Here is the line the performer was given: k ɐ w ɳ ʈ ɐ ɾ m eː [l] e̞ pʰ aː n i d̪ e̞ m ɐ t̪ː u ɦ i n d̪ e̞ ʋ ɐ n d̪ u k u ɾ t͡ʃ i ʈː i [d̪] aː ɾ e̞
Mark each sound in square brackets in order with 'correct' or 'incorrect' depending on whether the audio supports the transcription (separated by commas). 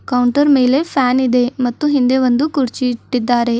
correct, incorrect